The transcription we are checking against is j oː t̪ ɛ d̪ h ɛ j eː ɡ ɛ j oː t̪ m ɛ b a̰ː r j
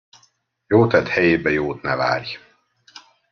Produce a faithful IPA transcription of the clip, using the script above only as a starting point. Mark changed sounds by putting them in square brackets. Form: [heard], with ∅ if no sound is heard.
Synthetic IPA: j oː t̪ ɛ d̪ h ɛ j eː [b] ɛ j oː t̪ [n] ɛ [v] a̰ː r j